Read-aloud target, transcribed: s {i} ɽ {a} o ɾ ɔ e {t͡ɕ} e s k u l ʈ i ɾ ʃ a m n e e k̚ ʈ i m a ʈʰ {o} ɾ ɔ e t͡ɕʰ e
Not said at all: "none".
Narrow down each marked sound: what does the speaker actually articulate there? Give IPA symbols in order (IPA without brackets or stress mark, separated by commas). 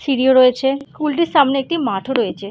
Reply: i, i, t͡ɕʰ, o